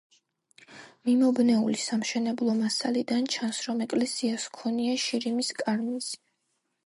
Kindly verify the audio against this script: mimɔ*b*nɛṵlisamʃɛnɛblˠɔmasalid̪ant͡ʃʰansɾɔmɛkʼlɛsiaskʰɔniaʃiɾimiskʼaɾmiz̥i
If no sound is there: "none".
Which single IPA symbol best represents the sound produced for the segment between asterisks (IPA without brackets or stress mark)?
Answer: b